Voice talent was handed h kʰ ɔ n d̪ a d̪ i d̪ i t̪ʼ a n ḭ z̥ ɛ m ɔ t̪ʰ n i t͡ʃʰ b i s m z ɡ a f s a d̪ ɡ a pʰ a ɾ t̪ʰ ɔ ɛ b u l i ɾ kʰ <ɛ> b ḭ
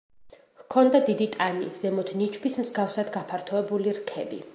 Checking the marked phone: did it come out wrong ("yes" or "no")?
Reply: no